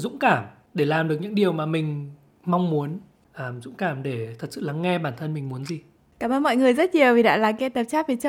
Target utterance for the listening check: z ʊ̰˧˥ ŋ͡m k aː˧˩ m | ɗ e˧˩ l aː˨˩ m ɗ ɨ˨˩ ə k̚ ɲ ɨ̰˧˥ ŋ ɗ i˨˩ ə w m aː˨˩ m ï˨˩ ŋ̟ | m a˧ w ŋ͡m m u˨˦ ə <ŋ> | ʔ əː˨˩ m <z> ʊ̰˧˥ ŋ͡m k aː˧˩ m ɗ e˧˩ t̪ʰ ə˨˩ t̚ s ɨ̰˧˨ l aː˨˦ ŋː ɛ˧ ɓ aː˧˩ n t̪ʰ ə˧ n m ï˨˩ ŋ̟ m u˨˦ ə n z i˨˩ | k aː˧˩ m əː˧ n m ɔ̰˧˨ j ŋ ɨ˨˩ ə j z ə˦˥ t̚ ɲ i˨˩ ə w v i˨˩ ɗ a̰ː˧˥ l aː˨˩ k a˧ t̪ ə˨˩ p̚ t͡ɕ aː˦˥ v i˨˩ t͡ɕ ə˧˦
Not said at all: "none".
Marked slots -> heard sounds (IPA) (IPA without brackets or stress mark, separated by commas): n, z